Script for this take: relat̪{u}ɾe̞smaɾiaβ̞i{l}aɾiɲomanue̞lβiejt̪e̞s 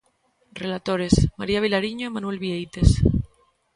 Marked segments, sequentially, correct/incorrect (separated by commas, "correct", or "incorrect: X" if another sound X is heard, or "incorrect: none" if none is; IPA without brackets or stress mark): incorrect: o, correct